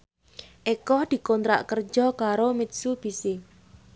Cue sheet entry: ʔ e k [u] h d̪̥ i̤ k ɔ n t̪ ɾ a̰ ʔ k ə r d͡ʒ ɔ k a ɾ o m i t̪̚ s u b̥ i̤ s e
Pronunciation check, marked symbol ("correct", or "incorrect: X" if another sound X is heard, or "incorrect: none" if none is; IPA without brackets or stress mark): incorrect: ɔ